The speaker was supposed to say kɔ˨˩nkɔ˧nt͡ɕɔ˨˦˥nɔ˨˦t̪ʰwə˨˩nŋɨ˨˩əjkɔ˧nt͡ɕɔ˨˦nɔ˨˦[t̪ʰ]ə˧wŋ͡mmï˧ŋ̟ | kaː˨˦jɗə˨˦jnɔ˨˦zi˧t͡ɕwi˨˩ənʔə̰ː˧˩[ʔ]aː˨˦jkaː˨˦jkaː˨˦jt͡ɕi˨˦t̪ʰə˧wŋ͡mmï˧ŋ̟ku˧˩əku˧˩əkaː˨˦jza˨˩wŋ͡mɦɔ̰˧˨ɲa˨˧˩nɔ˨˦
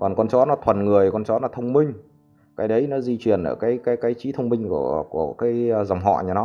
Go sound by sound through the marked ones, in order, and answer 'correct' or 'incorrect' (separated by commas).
correct, incorrect